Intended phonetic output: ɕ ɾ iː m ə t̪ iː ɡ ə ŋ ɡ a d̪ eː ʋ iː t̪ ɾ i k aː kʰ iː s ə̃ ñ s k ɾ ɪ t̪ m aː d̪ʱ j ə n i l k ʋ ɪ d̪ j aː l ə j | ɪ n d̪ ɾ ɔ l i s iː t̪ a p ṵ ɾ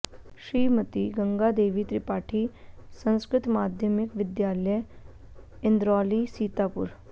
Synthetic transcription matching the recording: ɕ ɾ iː m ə t̪ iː ɡ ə ŋ ɡ a d̪ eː ʋ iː t̪ ɾ i p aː ʈʰ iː s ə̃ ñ s k ɾ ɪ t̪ m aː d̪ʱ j ə m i k ʋ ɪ d̪ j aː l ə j | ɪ n d̪ ɾ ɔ l i s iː t̪ a p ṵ ɾ

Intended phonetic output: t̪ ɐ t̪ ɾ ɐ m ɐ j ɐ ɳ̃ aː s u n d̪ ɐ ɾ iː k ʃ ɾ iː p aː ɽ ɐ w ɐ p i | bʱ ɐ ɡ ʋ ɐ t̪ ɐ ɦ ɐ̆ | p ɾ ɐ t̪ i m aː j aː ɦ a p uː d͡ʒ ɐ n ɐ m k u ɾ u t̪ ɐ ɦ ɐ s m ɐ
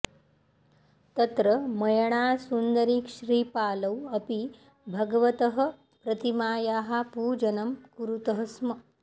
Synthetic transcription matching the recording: t̪ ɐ t̪ ɾ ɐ m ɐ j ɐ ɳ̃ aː s u n d̪ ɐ ɾ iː k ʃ ɾ iː p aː l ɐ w ɐ p i | bʱ ɐ ɡ ʋ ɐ t̪ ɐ ɦ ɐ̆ | p ɾ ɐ t̪ i m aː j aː ɦ a p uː d͡ʒ ɐ n ɐ m k u ɾ u t̪ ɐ ɦ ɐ s m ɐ

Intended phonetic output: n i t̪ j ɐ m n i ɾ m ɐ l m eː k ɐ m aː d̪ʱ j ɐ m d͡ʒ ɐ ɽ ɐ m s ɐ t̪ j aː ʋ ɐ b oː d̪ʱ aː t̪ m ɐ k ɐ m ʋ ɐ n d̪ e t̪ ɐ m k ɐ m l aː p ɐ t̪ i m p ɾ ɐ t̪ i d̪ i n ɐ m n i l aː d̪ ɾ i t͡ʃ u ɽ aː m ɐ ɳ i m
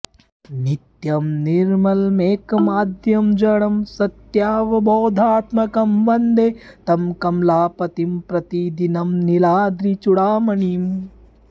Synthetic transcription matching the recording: n i t̪ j ɐ m n i ɾ m ɐ l m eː k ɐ m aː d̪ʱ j ɐ m d͡ʒ ɐ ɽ ɐ m s ɐ t̪ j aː ʋ ɐ b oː d̪ʱ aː t̪ m ɐ k ɐ m ʋ ɐ n d̪ e t̪ ɐ m k ɐ m l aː p ɐ t̪ i m p ɾ ɐ t̪ i d̪ i n ɐ m n i l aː d̪ ɾ i t͡ʃ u ɽ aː m ɐ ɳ i m

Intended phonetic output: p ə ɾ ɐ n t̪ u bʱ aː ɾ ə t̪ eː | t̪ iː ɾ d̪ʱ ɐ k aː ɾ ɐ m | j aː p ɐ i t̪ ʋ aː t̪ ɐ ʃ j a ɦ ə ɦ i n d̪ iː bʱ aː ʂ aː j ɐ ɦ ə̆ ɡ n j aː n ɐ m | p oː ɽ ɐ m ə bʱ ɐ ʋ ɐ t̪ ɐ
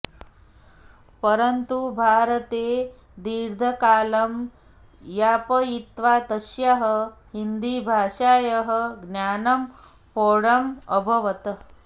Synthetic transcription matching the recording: p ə ɾ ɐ n t̪ u bʱ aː ɾ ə t̪ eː | d̪ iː ɾ d̪ʱ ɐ k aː l ɐ m | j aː p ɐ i t̪ ʋ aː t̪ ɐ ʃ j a ɦ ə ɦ i n d̪ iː bʱ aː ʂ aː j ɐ ɦ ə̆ ɡ n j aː n ɐ m | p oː ɽ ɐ m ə bʱ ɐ ʋ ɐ t̪ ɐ

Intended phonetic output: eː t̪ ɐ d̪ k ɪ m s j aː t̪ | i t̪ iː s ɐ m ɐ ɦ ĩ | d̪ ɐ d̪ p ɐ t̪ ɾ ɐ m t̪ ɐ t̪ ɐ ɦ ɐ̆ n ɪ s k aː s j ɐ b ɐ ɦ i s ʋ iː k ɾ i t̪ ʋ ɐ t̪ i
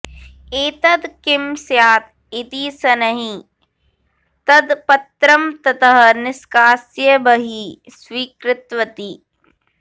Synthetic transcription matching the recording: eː t̪ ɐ d̪ k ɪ m s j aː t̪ | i t̪ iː s ɐ n ɐ ɦ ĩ | t̪ ɐ d̪ p ɐ t̪ ɾ ɐ m t̪ ɐ t̪ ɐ ɦ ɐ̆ n ɪ s k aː s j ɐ b ɐ ɦ i s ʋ iː k ɾ ɪ t̪ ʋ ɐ t̪ i

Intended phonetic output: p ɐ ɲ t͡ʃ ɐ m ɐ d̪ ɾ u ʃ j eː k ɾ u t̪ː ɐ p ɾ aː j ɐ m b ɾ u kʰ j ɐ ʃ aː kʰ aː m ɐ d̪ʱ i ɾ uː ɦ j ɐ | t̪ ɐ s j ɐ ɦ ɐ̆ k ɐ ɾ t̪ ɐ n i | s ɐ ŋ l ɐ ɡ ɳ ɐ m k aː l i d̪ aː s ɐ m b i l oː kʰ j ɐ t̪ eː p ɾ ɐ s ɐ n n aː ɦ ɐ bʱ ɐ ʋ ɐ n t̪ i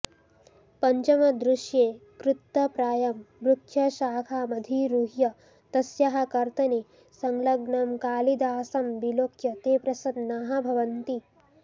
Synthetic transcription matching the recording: p ɐ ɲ t͡ʃ ɐ m ɐ d̪ ɾ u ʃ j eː k ɾ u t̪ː ɐ p ɾ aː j ɐ m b ɾ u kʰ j ɐ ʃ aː kʰ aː m ɐ d̪ʱ i ɾ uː ɦ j ɐ | t̪ ɐ s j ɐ ɦ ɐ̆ k ɐ ɾ t̪ ɐ n i | s ɐ ŋ l ɐ ɡ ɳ ɐ m k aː l i d̪ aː s ɐ m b i l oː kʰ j ɐ t̪ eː p ɾ ɐ s ɐ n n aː ɦ ɐ bʱ ɐ ʋ ɐ n t̪ i

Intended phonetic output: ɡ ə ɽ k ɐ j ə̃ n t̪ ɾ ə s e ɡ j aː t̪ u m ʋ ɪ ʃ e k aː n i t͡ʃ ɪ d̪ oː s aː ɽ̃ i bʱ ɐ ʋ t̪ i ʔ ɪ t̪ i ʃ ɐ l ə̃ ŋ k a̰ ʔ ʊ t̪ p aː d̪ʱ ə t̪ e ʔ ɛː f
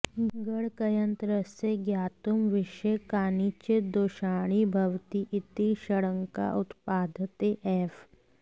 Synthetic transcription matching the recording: ɡ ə ɽ k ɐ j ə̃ n t̪ ɾ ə s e ɡ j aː t̪ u m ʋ ɪ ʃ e k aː n i t͡ʃ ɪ d̪ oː ʃ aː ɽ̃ i bʱ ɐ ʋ t̪ i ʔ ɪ t̪ i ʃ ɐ ɽ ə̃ ŋ k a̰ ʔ ʊ t̪ p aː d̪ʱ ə t̪ e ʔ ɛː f

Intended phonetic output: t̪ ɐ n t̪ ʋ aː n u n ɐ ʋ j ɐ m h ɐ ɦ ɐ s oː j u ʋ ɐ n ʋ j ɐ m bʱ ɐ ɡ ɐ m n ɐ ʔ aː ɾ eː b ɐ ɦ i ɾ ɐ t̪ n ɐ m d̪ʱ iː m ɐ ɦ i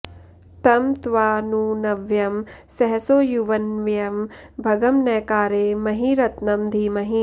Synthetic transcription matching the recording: t̪ ɐ m t̪ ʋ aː n u n ɐ ʋ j ɐ m s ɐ ɦ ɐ s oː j u ʋ ɐ n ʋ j ɐ m bʱ ɐ ɡ ɐ m n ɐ k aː ɾ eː m ɐ ɦ i ɾ ɐ t̪ n ɐ m d̪ʱ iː m ɐ ɦ i

